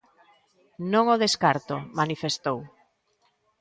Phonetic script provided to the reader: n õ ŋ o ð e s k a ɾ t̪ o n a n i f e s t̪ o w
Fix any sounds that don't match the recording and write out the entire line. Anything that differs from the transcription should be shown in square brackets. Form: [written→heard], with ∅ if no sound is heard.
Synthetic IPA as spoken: n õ ŋ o ð e s k a ɾ t̪ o [n→m] a n i f e s t̪ o w